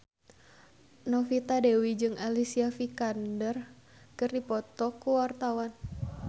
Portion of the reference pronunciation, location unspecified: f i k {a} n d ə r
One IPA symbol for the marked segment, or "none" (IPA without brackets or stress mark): a